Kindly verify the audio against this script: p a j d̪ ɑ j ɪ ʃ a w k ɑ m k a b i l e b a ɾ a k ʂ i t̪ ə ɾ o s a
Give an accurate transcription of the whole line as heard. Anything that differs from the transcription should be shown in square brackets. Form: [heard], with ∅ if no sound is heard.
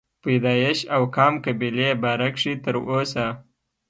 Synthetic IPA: p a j d̪ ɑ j ɪ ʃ a w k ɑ m k a b i l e b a ɾ a k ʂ i t̪ ə ɾ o s a